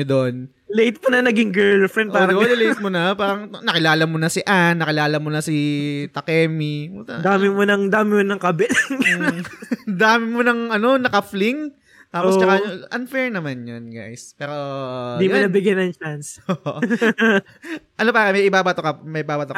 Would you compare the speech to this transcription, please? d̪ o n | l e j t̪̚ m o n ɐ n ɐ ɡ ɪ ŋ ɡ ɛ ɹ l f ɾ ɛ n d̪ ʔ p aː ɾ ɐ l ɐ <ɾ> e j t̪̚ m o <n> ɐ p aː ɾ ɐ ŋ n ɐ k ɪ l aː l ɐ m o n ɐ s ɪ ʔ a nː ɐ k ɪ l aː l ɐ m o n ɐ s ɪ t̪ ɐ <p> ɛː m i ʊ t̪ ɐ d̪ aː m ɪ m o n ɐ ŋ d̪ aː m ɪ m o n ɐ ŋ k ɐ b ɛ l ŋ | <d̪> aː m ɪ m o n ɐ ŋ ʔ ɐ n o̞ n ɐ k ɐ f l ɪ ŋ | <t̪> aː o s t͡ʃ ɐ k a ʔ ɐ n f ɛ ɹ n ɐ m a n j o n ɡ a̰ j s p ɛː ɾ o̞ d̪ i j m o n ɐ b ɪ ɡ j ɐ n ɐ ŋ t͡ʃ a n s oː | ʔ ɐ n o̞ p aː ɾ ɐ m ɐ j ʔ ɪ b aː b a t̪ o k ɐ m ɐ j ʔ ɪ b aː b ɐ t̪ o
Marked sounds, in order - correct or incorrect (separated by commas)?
incorrect, correct, incorrect, correct, correct